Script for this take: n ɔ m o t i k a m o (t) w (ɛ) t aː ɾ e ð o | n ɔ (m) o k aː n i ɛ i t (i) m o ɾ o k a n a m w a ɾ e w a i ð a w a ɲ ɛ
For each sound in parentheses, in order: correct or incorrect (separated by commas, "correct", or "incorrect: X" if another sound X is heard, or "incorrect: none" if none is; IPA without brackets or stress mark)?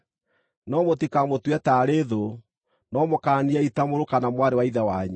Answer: correct, correct, correct, incorrect: a